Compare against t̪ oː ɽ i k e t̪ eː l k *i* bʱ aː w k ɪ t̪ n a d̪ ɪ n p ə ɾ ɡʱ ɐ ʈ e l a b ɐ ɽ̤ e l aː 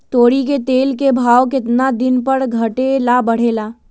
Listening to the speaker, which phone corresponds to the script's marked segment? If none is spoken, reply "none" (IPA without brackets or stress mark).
e